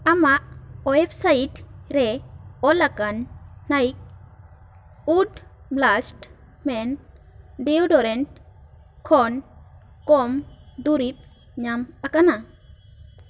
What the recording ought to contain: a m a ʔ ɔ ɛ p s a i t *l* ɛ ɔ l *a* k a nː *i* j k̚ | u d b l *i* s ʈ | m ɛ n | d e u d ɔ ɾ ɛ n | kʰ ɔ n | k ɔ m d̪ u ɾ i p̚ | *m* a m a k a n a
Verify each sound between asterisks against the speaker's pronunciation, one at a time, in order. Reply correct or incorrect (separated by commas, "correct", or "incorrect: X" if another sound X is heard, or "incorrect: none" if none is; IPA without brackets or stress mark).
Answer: incorrect: ɾ, correct, incorrect: a, incorrect: a, incorrect: ɲ